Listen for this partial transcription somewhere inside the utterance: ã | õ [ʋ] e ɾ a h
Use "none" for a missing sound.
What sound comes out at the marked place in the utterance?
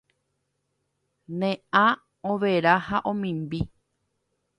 ʋ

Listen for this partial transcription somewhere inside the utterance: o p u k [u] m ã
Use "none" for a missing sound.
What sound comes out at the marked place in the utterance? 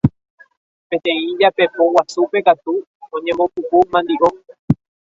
u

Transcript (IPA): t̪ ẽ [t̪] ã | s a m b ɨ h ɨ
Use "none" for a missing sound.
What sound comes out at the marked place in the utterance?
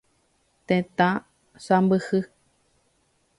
t̪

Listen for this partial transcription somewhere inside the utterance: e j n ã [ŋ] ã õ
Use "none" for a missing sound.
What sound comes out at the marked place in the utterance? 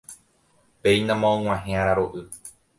m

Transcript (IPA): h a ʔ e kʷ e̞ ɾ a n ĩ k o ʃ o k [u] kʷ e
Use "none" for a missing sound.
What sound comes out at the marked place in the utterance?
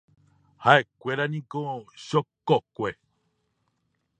o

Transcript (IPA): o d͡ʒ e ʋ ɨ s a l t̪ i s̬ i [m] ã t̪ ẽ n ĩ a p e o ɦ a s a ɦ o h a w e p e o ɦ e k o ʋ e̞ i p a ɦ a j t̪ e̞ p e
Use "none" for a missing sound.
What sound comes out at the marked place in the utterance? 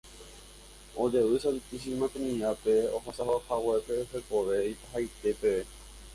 m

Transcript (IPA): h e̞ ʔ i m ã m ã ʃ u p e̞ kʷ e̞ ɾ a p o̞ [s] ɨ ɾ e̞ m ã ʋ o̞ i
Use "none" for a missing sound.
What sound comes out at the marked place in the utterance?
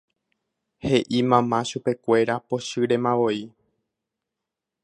ʃ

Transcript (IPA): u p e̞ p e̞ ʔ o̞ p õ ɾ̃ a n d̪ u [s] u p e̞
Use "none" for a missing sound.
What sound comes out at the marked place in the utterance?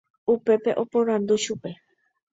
ʃ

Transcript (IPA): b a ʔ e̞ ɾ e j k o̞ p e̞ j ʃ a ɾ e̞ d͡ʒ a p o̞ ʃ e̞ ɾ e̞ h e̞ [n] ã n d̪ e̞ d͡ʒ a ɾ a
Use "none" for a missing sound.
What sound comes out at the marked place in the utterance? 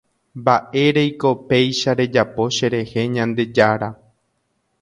ɲ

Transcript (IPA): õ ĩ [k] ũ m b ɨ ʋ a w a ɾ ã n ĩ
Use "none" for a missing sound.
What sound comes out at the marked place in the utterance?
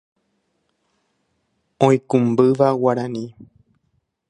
k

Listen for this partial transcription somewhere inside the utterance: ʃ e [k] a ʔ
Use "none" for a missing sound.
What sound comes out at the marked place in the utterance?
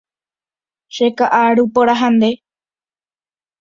k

